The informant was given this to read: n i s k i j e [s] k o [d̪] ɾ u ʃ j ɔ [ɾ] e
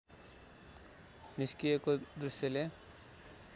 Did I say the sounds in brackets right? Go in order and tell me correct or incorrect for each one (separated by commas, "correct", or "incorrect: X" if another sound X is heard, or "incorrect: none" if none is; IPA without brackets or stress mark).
incorrect: none, correct, incorrect: l